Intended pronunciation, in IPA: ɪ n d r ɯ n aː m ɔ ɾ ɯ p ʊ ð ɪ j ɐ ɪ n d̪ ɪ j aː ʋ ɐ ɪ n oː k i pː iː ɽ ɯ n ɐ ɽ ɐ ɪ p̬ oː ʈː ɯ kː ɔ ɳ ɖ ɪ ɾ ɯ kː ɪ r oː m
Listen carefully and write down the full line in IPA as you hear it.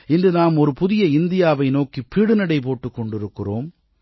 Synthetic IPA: ɪ n d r ɯ n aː m ɔ ɾ ɯ p ʊ ð ɪ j ɐ ɪ n d̪ ɪ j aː ʋ ɐ ɪ n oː k i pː iː ɽ ɯ n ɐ ɽ ɐ ɪ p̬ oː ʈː ɯ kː ɔ ɳ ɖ ɪ ɾ ɯ kː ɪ r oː m